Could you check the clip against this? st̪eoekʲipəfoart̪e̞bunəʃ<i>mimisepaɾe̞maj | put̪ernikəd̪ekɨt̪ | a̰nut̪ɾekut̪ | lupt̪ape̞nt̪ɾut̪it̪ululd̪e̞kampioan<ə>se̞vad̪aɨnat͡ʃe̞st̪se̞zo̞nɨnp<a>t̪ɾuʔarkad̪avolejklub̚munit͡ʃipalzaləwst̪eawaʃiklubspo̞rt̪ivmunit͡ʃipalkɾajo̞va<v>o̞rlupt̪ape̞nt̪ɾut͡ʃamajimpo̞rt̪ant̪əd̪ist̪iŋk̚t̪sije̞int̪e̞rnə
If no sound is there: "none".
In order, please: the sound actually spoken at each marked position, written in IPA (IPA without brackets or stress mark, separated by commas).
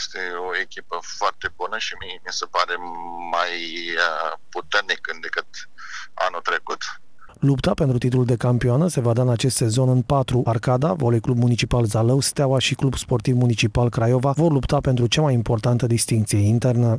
i, ə, a, v